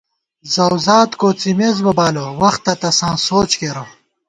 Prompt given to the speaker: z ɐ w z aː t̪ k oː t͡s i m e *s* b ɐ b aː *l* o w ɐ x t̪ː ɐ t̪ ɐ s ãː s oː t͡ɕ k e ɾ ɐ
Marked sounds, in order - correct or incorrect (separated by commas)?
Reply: incorrect, correct